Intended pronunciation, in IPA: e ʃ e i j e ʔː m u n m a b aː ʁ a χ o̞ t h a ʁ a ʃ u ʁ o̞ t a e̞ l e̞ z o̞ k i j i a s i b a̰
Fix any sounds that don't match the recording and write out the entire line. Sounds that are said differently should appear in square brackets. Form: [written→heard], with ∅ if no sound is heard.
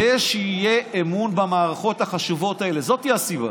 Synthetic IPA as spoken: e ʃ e i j e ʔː m u n [m→b] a [b→m] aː ʁ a χ o̞ t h a [ʁ→χ] a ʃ u [ʁ→v] o̞ t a e̞ l e̞ z o̞ [k→t] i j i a s i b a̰